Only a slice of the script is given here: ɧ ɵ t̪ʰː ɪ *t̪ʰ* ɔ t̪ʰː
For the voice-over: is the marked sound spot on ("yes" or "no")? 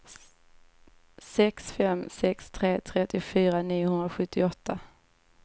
no